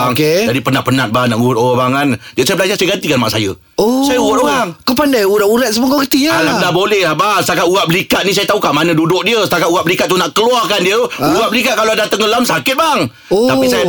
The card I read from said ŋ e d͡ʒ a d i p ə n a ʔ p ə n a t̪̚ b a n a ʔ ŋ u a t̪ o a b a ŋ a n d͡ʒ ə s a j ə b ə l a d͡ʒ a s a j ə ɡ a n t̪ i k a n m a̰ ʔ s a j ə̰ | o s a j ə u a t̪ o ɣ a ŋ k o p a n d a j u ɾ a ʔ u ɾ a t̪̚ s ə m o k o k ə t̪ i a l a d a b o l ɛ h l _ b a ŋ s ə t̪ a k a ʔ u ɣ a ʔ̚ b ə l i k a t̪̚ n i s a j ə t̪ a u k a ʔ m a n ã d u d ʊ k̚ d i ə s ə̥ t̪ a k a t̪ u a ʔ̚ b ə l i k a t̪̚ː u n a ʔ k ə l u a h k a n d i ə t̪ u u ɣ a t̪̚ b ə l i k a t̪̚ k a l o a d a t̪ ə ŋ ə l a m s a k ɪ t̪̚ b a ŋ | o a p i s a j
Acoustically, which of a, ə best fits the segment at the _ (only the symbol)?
a